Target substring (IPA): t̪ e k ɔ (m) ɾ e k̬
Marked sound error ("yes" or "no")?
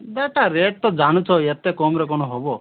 no